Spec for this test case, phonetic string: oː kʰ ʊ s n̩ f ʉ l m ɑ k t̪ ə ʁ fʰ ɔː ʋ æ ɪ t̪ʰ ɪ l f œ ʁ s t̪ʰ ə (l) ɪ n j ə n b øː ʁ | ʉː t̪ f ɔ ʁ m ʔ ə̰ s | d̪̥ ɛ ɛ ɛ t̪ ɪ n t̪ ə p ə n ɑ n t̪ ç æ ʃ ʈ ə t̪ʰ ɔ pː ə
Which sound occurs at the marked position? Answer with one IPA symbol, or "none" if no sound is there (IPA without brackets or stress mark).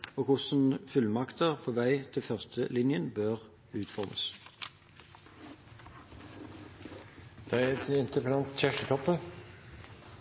l